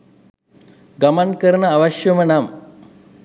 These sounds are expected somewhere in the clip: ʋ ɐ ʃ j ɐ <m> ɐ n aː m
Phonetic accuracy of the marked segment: correct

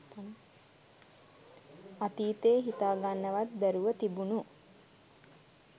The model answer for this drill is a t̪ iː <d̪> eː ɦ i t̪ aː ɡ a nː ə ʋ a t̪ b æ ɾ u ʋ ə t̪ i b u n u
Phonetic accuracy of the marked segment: incorrect: t̪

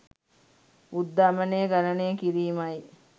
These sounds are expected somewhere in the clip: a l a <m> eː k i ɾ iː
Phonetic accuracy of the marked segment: incorrect: n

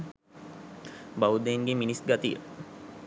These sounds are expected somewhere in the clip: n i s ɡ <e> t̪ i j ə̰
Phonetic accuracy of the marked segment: incorrect: a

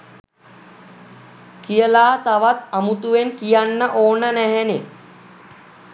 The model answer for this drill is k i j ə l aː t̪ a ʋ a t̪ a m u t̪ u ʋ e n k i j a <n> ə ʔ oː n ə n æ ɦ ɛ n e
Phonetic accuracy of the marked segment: incorrect: nː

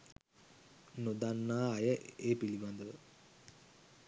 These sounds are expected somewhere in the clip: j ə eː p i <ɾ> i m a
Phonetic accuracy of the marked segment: incorrect: l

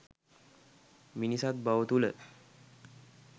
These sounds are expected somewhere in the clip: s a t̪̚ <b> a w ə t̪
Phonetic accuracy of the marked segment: correct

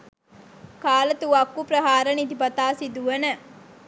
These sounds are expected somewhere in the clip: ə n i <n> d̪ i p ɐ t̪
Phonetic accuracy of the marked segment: incorrect: none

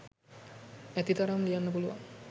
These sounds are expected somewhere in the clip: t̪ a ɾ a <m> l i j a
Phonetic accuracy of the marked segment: correct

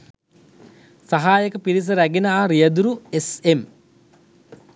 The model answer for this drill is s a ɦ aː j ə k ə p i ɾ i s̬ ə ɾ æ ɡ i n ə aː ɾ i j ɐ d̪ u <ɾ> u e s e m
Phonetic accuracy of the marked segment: correct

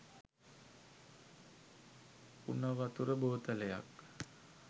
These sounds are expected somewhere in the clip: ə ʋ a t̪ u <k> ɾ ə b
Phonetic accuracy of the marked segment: incorrect: none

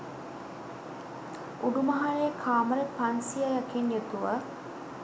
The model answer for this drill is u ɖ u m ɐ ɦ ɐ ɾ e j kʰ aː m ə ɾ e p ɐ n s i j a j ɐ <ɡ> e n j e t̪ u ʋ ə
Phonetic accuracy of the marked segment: incorrect: k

